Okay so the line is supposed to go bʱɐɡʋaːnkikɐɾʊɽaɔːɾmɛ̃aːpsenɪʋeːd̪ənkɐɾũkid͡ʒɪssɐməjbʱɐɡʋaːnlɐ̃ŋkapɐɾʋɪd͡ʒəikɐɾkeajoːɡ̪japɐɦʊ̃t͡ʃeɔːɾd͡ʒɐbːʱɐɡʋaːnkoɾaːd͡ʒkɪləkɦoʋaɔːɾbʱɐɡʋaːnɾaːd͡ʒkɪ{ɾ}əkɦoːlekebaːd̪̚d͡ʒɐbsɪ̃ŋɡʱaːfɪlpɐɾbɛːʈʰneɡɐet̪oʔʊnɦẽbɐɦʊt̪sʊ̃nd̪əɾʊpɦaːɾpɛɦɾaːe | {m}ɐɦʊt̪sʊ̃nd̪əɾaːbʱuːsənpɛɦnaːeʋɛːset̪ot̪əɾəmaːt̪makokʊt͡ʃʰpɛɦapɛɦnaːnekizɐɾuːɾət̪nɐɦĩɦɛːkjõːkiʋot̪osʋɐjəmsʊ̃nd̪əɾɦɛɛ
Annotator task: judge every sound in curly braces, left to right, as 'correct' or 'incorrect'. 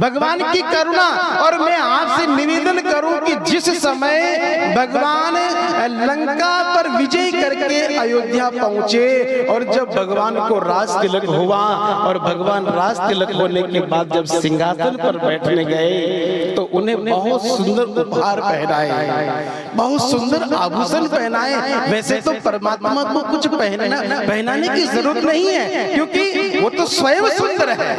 incorrect, incorrect

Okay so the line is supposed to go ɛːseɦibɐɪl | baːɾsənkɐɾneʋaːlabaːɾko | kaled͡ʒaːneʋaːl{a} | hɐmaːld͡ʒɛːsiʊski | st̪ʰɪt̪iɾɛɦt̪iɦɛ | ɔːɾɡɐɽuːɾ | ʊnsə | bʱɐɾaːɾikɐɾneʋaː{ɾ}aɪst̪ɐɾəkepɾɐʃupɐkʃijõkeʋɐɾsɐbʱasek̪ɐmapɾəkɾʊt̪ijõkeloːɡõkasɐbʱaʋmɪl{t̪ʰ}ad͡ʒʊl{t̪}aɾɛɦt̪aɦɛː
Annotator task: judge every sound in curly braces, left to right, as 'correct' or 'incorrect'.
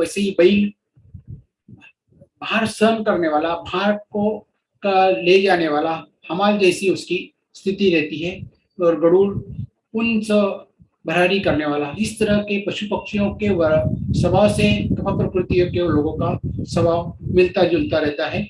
correct, incorrect, incorrect, correct

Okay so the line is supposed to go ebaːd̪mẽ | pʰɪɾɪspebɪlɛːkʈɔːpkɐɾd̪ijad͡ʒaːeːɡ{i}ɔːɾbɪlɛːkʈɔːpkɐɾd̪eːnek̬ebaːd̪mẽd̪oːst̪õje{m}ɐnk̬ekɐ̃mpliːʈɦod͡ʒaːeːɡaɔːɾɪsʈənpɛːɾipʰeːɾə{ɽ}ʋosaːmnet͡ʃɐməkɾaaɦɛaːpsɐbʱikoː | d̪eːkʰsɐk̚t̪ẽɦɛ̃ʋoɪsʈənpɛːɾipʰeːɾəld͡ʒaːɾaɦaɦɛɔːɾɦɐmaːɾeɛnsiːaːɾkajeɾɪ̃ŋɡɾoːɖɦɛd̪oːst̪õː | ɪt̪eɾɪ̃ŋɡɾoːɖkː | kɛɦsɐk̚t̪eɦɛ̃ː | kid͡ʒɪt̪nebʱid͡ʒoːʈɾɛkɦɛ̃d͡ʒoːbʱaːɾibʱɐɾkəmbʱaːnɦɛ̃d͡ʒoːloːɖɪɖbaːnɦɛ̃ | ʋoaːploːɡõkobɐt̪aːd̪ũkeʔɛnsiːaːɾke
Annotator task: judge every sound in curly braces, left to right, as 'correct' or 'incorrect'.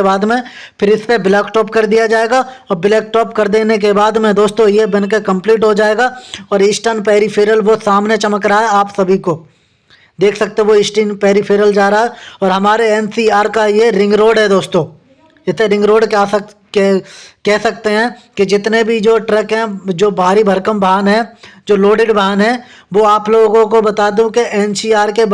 incorrect, incorrect, incorrect

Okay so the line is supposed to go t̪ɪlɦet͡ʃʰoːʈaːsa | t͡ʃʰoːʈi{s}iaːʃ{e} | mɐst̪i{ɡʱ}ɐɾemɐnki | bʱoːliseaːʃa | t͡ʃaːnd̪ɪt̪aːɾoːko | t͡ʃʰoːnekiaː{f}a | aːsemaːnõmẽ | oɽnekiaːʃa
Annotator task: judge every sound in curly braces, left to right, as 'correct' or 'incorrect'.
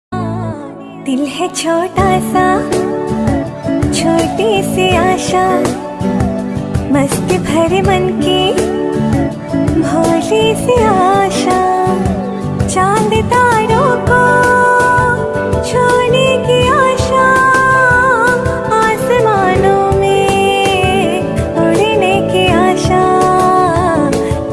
correct, incorrect, incorrect, incorrect

